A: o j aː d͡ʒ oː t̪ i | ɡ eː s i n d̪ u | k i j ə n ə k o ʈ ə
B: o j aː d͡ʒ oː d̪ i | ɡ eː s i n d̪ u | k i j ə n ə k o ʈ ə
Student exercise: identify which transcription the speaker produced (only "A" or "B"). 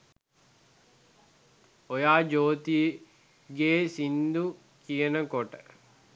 A